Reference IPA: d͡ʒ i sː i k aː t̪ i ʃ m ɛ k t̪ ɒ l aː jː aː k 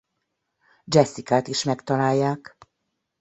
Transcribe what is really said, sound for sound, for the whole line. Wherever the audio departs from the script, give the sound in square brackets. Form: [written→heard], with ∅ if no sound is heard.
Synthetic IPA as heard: d͡ʒ [i→ɛ] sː i k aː t̪ i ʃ m ɛ k t̪ ɒ l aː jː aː k